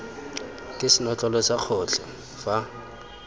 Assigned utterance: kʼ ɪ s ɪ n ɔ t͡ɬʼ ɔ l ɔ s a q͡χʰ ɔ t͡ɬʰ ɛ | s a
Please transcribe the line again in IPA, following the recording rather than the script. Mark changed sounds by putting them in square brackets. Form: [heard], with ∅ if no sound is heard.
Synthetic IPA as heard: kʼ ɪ s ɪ n ɔ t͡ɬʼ ɔ l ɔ s a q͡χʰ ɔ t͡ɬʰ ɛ | [f] a